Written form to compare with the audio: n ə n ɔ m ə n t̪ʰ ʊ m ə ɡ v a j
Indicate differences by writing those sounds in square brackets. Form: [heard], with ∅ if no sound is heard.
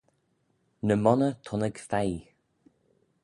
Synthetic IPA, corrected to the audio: n ə [m] ɔ [n] ə [∅] t̪ʰ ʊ [n] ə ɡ [f] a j